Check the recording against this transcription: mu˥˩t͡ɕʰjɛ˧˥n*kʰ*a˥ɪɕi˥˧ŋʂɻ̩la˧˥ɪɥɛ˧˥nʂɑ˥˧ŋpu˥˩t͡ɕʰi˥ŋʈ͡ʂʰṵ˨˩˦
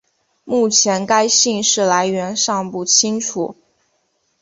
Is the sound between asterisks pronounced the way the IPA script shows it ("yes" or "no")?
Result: no